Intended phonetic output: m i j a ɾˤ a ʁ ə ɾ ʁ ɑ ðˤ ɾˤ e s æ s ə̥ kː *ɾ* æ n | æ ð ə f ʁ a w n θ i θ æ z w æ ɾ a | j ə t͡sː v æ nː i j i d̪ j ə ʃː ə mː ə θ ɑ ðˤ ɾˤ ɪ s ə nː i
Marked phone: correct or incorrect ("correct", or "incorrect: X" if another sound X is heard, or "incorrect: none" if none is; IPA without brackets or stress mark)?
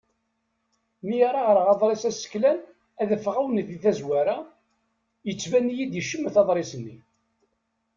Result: incorrect: l